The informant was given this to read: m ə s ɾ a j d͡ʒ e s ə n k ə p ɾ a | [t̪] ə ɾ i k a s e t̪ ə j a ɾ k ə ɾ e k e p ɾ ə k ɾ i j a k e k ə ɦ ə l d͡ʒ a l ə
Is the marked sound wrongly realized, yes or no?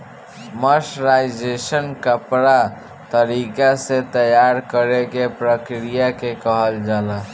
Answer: no